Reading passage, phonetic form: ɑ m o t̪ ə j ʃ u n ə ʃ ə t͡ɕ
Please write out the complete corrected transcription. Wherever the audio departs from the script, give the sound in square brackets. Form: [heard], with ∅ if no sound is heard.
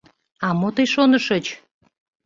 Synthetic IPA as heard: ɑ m o t̪ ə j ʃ [o] n ə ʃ ə t͡ɕ